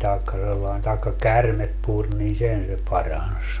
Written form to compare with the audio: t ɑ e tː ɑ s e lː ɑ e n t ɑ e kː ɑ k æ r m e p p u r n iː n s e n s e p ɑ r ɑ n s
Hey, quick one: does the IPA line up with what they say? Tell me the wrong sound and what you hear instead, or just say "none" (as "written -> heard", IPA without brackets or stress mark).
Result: tː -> kː